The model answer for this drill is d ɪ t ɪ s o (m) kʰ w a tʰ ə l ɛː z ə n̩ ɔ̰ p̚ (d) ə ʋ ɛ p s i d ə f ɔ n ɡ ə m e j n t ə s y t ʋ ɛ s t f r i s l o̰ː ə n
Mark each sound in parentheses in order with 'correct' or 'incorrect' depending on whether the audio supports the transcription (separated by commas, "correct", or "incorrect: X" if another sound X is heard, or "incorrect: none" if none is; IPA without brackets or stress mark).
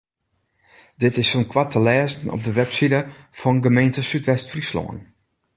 incorrect: n, correct